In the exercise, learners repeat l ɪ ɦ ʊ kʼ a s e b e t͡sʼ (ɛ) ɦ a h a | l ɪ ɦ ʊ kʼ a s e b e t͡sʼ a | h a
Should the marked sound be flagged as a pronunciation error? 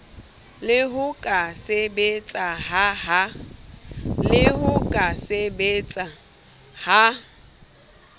yes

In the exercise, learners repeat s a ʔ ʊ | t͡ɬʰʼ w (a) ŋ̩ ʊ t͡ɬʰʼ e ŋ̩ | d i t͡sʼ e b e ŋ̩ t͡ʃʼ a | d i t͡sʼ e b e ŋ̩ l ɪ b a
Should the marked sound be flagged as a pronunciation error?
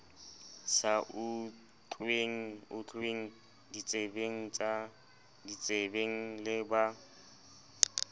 yes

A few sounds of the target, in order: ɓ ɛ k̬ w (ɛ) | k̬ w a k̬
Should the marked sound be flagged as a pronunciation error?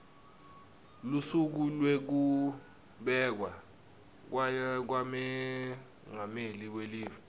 yes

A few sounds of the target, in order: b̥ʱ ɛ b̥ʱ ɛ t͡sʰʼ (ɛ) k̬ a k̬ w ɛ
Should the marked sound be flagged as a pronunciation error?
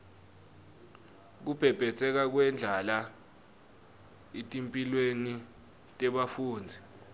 no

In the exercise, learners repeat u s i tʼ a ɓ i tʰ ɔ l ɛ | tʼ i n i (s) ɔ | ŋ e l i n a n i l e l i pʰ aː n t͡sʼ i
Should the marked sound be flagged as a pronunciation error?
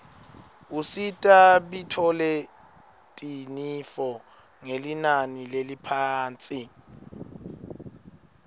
yes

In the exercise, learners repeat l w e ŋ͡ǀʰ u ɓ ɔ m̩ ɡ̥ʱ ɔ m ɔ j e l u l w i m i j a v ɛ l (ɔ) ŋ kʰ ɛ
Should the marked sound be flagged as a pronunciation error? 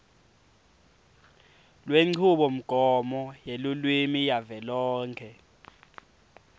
yes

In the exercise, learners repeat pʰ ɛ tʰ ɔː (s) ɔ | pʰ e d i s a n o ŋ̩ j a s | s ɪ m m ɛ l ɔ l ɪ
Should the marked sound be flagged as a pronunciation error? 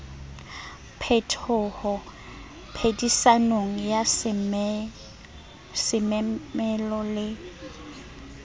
yes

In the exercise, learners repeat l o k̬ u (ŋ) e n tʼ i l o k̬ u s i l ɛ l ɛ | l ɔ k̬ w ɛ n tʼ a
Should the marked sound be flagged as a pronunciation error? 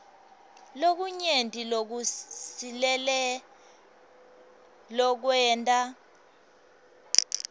yes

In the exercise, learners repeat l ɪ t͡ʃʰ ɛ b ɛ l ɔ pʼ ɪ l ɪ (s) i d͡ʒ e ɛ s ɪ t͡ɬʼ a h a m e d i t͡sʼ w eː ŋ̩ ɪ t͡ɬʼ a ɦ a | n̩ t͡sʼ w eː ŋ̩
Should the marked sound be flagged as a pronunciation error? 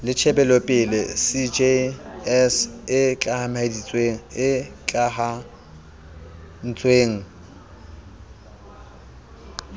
no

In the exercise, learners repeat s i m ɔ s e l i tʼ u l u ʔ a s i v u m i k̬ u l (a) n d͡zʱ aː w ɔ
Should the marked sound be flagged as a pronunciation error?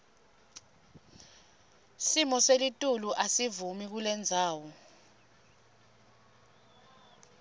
yes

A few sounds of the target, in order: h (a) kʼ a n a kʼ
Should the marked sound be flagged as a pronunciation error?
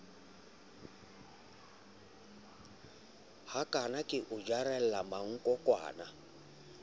no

